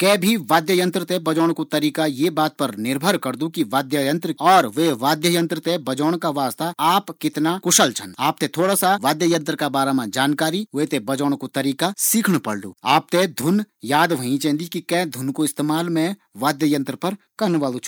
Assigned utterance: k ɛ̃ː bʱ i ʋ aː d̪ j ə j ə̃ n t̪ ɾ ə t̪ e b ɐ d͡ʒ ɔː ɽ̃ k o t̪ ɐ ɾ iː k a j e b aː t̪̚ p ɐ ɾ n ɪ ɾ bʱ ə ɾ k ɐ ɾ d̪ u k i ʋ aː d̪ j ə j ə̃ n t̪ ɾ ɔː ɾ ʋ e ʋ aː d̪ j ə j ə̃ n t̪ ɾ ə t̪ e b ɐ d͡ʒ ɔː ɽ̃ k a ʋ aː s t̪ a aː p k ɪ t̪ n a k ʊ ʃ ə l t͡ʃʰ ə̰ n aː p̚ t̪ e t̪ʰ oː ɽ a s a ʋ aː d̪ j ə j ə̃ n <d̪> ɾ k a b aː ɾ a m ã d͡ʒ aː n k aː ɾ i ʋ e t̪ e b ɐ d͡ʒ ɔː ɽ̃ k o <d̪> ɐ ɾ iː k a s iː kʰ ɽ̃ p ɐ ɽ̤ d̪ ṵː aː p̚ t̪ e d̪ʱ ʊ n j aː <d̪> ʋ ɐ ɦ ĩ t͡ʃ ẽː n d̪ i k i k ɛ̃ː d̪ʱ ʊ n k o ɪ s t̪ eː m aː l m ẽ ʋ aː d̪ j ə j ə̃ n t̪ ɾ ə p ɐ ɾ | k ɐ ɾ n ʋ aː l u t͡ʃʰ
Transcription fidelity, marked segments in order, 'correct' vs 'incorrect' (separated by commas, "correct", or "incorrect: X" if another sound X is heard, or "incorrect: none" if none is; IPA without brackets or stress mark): incorrect: t̪, incorrect: t̪, correct